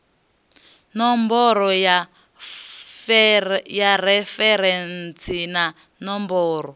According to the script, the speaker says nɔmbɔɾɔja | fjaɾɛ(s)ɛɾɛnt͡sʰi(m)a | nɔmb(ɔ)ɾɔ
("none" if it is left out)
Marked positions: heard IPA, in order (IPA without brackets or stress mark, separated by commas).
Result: f, n, ɔː